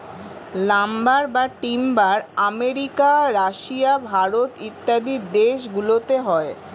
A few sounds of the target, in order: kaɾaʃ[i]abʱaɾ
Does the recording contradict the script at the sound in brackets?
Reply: no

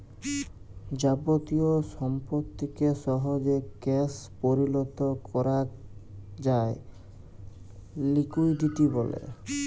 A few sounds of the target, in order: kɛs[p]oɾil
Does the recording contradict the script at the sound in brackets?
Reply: no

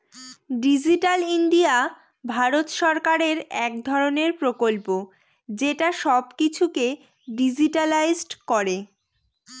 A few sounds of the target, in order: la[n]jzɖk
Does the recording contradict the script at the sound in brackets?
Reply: yes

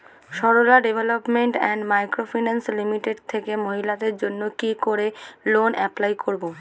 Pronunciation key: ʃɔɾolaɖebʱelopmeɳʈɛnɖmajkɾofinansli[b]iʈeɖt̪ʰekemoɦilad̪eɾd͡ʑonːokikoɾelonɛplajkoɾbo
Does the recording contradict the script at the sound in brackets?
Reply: yes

